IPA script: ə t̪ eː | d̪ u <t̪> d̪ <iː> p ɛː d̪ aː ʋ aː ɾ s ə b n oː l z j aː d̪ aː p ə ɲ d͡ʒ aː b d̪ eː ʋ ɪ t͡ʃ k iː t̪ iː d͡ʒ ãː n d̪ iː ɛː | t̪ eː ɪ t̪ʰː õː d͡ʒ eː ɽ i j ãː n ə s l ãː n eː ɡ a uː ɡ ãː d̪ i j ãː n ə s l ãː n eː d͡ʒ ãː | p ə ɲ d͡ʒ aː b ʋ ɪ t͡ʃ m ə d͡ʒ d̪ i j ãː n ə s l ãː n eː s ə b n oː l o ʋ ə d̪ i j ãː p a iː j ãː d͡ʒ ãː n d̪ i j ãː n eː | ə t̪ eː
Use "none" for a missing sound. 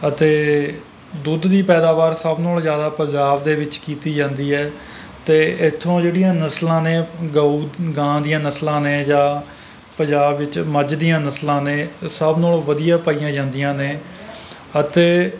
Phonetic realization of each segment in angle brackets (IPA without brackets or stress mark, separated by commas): d̪, iː